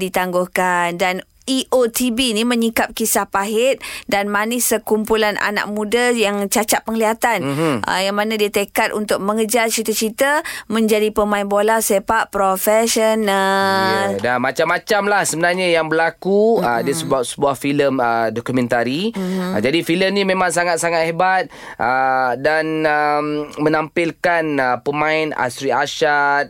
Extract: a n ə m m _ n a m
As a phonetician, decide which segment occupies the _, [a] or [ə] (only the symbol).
ə